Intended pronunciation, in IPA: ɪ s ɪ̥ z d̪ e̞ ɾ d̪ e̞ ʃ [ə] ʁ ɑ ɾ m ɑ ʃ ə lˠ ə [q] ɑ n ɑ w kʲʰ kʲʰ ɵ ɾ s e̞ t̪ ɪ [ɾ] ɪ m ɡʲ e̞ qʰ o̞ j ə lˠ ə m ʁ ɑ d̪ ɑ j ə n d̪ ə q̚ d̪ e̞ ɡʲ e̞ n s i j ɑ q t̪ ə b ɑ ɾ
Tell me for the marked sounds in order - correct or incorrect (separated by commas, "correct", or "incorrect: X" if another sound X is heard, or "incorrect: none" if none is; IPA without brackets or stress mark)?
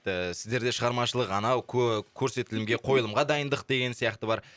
correct, correct, incorrect: l